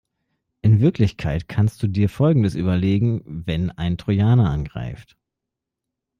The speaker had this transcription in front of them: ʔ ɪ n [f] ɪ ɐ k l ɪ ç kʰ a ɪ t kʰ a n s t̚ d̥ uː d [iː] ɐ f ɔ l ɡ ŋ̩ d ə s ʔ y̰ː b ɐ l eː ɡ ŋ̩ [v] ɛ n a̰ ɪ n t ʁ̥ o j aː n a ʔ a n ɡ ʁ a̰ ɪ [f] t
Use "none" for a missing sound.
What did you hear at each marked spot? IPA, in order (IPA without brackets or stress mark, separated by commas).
v, iː, v, f